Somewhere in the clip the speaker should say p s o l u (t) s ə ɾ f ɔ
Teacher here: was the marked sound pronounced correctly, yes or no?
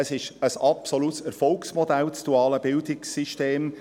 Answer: yes